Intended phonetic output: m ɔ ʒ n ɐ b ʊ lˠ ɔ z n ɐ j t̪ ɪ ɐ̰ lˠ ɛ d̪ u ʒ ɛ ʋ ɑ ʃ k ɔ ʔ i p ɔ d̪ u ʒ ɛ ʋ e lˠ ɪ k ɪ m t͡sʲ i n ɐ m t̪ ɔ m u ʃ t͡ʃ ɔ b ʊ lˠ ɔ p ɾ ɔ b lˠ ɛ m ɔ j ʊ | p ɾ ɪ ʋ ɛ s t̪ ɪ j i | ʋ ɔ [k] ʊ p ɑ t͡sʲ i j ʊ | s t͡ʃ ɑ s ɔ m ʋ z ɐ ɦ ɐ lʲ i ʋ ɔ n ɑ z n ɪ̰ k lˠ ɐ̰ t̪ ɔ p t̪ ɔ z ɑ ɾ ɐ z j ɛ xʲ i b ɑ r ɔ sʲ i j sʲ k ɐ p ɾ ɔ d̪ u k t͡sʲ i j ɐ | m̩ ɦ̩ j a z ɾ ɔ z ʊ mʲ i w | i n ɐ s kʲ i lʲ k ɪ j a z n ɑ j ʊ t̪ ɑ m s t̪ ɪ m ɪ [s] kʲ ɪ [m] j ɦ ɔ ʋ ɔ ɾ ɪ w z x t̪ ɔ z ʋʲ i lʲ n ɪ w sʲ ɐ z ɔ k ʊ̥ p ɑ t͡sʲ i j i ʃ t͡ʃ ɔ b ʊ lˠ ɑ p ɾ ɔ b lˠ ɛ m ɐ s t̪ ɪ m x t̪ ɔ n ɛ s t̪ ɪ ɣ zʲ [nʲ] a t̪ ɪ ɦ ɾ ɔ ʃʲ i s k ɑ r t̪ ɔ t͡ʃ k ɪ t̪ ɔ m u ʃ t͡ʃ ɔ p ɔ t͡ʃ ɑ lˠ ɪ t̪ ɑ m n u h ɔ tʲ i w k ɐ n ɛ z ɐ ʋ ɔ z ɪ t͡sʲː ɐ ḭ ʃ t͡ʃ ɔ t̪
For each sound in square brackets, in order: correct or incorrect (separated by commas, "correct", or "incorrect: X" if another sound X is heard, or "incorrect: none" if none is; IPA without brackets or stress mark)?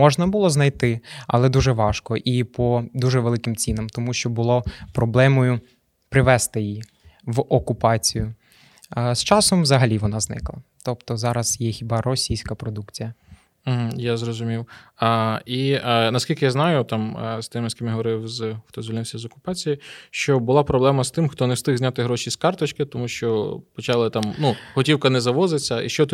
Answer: correct, correct, correct, correct